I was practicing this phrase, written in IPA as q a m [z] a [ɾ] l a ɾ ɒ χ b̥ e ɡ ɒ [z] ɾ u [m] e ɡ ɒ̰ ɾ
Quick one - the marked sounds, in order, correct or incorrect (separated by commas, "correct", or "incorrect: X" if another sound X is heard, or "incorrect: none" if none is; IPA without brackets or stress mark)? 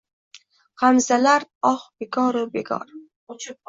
correct, incorrect: none, incorrect: none, incorrect: b